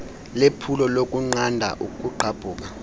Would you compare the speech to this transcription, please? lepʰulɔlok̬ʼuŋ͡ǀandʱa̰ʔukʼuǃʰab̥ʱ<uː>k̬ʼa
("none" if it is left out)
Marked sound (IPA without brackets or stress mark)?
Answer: uː